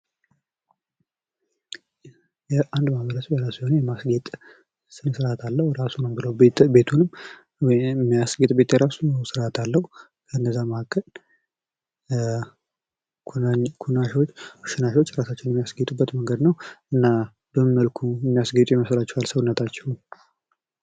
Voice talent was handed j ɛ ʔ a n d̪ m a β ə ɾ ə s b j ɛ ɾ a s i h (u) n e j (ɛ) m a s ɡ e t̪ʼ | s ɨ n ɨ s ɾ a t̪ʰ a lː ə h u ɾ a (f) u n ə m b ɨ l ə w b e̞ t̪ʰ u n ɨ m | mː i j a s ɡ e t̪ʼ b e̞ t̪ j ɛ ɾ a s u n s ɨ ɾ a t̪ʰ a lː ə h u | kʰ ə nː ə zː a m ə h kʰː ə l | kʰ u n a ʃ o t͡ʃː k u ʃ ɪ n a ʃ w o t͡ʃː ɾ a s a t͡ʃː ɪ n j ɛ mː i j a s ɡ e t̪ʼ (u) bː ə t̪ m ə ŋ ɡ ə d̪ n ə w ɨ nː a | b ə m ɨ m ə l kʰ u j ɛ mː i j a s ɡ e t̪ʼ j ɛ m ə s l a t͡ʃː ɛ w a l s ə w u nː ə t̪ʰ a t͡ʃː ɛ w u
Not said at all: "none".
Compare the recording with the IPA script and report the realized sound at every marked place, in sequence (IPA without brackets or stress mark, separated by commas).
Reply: o, ɛ, s, u